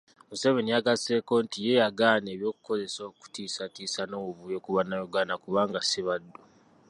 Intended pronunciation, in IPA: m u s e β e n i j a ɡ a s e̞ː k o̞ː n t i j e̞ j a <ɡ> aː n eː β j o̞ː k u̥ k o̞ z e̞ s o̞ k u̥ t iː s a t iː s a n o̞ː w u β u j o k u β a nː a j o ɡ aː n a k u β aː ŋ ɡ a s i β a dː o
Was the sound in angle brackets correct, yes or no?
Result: yes